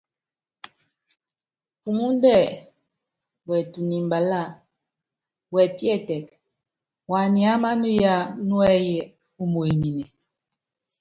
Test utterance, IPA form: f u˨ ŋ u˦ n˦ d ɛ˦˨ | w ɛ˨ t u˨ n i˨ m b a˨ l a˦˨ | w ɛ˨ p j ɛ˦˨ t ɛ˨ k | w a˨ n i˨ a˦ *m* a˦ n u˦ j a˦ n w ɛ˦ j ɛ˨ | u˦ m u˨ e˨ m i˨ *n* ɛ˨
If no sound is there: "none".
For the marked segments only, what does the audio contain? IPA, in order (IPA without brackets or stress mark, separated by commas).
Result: m, n